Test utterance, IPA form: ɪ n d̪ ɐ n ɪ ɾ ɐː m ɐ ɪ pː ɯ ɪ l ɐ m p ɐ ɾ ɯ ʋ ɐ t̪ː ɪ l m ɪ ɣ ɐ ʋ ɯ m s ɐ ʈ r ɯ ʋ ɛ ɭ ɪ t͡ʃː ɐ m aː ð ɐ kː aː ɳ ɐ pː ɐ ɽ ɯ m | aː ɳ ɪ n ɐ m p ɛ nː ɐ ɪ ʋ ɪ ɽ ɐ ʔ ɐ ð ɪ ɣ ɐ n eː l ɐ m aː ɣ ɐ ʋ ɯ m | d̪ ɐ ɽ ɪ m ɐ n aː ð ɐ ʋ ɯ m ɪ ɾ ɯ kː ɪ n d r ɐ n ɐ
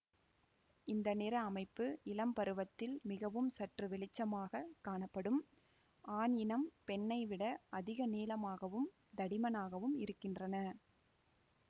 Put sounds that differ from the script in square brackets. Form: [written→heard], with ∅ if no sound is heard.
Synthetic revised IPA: ɪ n d̪ ɐ n ɪ ɾ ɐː m ɐ ɪ pː ɯ ɪ l ɐ m p ɐ ɾ ɯ ʋ ɐ t̪ː ɪ l m ɪ ɣ ɐ ʋ ɯ m s ɐ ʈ r ɯ ʋ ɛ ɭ ɪ t͡ʃː ɐ m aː [ð→ɣ] ɐ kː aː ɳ ɐ pː ɐ ɽ ɯ m | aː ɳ ɪ n ɐ m p ɛ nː ɐ ɪ ʋ ɪ ɽ ɐ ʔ ɐ ð ɪ ɣ ɐ n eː l ɐ m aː ɣ ɐ ʋ ɯ m | d̪ ɐ ɽ ɪ m ɐ n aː [ð→ɣ] ɐ ʋ ɯ m ɪ ɾ ɯ kː ɪ n d r ɐ n ɐ